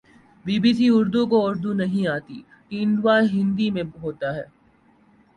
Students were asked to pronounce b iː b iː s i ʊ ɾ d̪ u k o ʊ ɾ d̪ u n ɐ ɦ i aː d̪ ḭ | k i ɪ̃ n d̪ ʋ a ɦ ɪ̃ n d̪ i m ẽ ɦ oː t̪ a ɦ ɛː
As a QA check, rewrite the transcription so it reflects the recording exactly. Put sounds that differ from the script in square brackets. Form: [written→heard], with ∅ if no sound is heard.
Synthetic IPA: b iː b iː s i ʊ ɾ d̪ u k o ʊ ɾ d̪ u n ɐ ɦ [i→ĩ] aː [d̪→t̪] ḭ | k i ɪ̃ n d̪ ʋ a ɦ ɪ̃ n d̪ i m ẽ ɦ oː t̪ a ɦ ɛː